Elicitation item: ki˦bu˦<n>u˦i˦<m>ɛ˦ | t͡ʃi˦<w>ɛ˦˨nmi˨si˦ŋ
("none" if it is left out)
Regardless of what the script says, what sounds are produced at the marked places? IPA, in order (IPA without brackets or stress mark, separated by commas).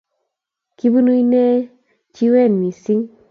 n, n, w